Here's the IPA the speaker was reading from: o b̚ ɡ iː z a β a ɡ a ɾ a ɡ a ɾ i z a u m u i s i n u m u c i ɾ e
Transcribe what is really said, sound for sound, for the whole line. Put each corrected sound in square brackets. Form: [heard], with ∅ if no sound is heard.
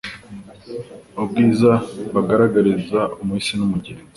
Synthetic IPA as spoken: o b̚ ɡ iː z a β a ɡ a ɾ a ɡ a ɾ i z a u m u i s i n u m u [ɟ] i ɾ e